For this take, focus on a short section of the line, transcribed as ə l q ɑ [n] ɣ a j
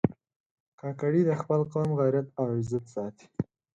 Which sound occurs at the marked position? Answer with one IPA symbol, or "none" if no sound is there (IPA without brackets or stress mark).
m